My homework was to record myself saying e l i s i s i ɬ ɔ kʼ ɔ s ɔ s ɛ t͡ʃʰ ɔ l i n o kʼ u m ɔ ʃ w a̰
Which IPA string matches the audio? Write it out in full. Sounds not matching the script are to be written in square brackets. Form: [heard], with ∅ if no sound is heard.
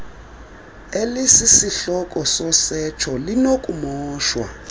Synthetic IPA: e l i s i s i ɬ ɔ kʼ ɔ s ɔ s ɛ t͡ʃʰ ɔ l i n o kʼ u m [ɔː] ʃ w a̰